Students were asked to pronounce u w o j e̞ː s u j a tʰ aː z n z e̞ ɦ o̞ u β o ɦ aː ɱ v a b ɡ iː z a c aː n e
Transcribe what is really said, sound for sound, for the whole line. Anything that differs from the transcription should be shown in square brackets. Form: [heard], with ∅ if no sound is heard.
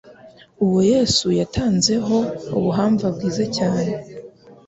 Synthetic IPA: u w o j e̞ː s u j a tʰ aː [∅] n z e̞ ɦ o̞ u β [u] ɦ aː ɱ v a b ɡ iː z a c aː n e